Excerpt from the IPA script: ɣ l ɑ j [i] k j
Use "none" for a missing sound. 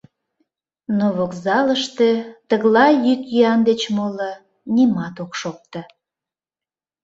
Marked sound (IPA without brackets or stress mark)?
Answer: y